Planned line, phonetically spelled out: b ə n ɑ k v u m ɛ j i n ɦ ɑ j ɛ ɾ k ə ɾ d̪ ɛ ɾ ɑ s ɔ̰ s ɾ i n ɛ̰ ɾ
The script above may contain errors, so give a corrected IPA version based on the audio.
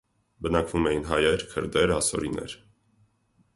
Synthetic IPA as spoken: b ə n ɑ k v u m ɛ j i n ɦ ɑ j ɛ ɾ kʰ ə ɾ d̪ ɛ ɾ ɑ s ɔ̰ ɾ i n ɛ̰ ɾ